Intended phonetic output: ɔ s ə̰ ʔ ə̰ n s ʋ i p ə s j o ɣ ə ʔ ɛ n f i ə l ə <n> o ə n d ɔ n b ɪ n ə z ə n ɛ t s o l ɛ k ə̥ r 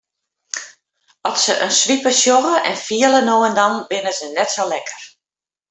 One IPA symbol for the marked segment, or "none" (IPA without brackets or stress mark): n